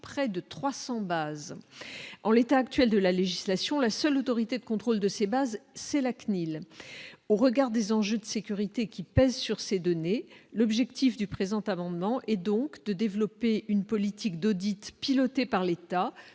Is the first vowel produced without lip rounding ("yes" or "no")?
yes